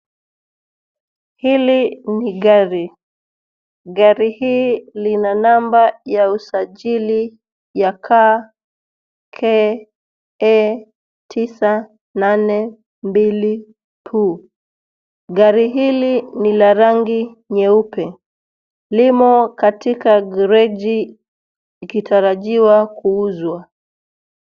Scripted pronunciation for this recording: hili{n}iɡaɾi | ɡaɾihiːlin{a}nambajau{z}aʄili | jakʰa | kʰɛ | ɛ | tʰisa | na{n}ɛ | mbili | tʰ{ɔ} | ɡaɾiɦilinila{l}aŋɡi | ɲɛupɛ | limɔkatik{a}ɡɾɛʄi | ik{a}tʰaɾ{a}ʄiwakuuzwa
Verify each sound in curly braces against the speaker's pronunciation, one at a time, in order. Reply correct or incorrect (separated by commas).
correct, correct, incorrect, correct, incorrect, incorrect, correct, incorrect, correct